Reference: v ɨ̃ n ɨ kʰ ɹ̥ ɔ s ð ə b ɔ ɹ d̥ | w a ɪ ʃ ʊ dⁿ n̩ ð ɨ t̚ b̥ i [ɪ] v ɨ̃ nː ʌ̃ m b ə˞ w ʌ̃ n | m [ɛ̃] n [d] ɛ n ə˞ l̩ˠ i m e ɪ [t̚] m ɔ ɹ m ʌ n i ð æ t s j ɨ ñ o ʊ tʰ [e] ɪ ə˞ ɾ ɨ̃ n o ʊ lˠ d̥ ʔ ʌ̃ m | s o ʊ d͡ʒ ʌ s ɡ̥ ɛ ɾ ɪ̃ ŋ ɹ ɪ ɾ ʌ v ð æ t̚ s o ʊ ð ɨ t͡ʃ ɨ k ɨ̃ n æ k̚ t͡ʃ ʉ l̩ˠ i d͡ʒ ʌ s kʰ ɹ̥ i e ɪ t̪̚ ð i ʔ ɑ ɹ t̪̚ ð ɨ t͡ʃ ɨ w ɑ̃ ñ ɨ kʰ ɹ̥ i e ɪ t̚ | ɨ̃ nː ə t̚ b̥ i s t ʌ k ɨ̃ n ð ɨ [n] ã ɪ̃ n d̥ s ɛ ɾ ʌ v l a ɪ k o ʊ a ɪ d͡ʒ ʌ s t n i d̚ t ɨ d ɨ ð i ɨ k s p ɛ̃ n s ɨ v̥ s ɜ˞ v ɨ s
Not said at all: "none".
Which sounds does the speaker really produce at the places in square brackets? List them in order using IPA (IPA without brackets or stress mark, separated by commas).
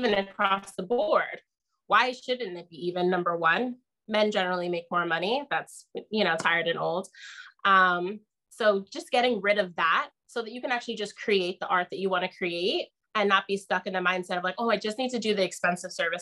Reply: i, ɛ̃, d͡ʒ, k̚, a, m